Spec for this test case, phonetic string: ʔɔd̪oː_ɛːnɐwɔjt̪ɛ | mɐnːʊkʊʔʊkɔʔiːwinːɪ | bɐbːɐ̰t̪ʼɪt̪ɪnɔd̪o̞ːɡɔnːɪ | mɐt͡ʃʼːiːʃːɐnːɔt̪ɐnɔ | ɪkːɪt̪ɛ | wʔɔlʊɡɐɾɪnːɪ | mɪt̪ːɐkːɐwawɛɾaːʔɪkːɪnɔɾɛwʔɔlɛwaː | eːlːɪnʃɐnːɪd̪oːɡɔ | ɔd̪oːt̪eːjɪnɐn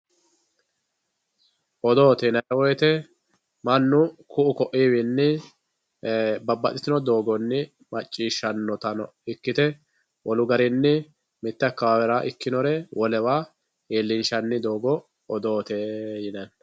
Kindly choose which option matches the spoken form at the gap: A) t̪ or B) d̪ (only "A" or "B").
A